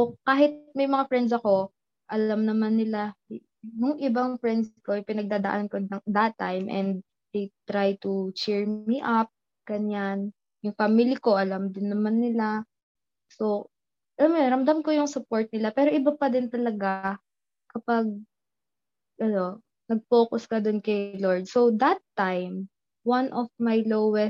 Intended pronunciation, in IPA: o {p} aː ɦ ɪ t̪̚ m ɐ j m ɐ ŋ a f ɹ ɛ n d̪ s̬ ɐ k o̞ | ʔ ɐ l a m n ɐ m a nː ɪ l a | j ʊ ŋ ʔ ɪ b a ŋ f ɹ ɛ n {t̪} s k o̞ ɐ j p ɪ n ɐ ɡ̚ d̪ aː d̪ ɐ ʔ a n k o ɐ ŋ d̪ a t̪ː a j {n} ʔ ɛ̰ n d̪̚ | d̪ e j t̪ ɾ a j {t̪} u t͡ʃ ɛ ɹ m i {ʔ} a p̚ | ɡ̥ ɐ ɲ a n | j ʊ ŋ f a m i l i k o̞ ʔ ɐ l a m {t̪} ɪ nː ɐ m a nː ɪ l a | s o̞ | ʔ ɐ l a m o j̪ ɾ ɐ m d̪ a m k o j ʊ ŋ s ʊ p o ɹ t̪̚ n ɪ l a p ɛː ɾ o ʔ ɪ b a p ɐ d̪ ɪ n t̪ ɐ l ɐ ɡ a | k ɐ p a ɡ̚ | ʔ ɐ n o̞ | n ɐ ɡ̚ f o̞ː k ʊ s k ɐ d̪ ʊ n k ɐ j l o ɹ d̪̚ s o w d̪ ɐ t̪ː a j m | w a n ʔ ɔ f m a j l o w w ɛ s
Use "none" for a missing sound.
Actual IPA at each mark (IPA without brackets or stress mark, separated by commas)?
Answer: k, d̪, m, t̪, ʔ, d̪